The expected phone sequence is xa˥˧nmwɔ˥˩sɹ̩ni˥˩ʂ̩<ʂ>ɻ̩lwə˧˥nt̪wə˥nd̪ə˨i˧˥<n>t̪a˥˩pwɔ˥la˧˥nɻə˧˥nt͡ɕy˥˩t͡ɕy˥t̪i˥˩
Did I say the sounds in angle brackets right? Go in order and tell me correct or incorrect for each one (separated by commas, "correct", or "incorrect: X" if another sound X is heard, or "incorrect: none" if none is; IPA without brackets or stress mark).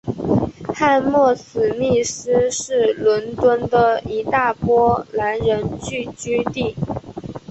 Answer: correct, incorrect: none